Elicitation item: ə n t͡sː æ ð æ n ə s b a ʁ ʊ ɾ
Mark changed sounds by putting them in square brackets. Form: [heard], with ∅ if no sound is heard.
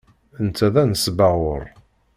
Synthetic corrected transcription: ə n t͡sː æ ð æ n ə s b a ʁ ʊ ɾ